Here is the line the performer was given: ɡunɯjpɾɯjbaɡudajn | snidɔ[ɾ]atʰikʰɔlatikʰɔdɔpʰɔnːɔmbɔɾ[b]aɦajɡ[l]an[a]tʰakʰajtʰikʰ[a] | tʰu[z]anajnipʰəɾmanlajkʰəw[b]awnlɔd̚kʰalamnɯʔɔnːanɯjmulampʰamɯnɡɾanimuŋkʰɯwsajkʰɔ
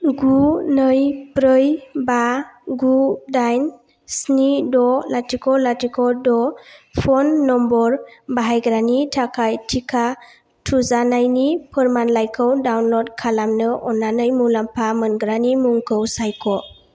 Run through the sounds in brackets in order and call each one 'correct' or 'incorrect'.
incorrect: l, correct, incorrect: ɾ, incorrect: i, correct, correct, incorrect: d

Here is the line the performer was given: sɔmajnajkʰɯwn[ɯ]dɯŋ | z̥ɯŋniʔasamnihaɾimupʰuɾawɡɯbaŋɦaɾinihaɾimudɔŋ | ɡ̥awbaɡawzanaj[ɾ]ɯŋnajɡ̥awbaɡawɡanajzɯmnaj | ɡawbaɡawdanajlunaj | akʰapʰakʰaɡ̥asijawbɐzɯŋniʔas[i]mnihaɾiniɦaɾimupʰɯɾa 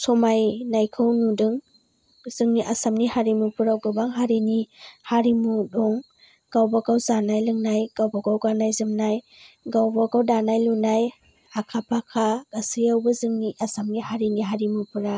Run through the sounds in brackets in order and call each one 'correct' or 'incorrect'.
incorrect: u, incorrect: l, incorrect: a

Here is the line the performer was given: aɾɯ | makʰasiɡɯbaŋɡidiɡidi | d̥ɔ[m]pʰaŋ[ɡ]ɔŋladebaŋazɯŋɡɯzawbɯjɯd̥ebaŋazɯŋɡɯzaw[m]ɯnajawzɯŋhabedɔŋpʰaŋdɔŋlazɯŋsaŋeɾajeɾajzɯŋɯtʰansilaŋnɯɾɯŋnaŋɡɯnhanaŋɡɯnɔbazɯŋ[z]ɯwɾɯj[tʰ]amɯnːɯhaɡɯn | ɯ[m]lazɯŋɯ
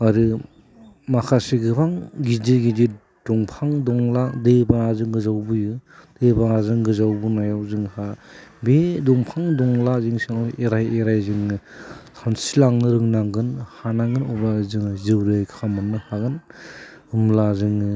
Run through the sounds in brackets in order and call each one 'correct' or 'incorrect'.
incorrect: ŋ, incorrect: d, incorrect: b, correct, incorrect: kʰ, correct

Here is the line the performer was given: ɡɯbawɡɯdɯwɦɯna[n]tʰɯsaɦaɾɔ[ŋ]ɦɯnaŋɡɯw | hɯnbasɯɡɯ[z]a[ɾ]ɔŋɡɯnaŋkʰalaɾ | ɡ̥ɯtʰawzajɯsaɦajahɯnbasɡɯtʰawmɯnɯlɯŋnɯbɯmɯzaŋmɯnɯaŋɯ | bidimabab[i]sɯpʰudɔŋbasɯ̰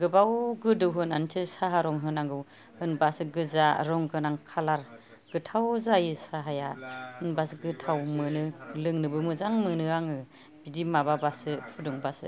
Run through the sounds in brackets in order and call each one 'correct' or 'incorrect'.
correct, correct, correct, correct, incorrect: a

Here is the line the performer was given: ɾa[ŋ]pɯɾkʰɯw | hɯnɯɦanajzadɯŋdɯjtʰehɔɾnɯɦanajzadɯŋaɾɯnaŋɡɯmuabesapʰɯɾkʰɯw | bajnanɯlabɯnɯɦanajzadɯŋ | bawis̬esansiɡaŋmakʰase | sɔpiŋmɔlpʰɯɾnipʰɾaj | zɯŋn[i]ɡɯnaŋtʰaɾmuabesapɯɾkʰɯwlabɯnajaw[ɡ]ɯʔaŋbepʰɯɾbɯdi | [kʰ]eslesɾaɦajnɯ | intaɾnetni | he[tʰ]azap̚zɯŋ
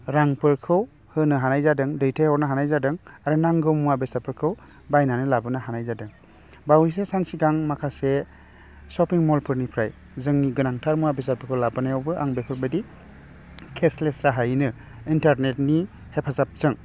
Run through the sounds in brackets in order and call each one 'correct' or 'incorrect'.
correct, correct, incorrect: b, correct, incorrect: pʰ

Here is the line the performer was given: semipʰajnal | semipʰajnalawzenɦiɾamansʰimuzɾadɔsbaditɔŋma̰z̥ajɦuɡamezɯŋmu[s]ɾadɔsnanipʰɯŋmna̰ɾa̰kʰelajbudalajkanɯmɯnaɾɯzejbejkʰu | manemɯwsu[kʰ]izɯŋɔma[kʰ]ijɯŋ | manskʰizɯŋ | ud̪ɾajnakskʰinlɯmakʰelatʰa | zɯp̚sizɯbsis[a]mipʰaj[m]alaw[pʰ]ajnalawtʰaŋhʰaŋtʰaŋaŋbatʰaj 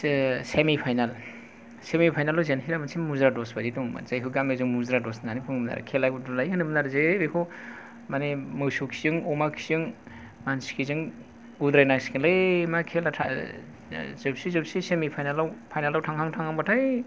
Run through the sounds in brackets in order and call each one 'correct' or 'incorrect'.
incorrect: z, correct, correct, incorrect: e, incorrect: n, correct

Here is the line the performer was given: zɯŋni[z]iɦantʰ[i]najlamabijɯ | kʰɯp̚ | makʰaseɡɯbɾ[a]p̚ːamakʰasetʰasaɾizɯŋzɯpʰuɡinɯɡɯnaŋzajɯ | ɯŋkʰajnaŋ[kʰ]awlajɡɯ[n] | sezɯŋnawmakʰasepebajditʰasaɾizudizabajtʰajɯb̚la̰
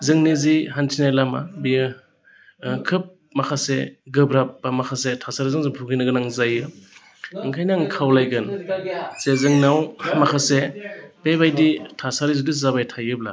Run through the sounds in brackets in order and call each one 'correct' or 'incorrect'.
correct, correct, correct, correct, correct

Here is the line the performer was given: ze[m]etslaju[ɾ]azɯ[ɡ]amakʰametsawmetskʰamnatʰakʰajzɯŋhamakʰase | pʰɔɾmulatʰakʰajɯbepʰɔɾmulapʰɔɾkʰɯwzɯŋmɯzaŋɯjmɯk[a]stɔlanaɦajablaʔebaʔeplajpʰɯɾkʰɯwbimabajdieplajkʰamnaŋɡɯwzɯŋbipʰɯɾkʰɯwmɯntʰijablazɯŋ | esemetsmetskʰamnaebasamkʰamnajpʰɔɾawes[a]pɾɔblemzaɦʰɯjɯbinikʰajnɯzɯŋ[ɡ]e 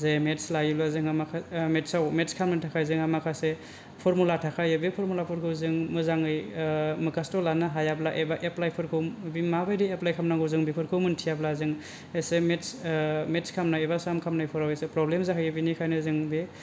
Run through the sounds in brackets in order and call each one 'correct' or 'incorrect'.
correct, incorrect: l, incorrect: ŋ, correct, incorrect: e, incorrect: b

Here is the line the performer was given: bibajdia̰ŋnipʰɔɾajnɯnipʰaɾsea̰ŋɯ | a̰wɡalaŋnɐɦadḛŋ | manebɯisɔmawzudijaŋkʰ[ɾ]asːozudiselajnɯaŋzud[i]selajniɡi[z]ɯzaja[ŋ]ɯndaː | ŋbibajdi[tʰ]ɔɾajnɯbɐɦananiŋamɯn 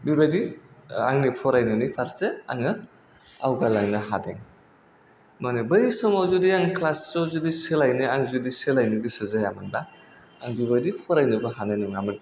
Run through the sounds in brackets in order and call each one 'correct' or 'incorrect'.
incorrect: l, correct, incorrect: s, incorrect: m, incorrect: pʰ

